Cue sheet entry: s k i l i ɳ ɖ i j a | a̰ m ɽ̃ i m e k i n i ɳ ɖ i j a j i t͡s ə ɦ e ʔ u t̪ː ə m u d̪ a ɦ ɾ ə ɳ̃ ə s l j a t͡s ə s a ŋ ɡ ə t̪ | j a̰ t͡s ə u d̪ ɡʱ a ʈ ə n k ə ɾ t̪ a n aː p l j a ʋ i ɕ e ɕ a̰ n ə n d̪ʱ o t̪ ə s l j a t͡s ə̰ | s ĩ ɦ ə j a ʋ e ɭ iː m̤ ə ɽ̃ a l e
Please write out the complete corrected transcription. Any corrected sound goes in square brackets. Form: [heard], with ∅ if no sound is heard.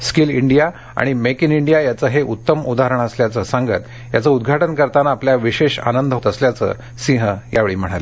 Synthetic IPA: s k i l i ɳ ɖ i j a | a̰ [∅] ɽ̃ i m e k i n i ɳ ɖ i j a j [a] t͡s ə ɦ e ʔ u t̪ː ə m u d̪ a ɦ ɾ ə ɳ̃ ə s l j a t͡s ə s a ŋ ɡ ə t̪ | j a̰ t͡s ə u d̪ ɡʱ a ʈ ə n k ə ɾ t̪ a n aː p l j a ʋ i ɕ e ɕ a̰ n ə n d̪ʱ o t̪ ə s l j a t͡s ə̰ | s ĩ ɦ ə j a ʋ e ɭ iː m̤ ə ɽ̃ a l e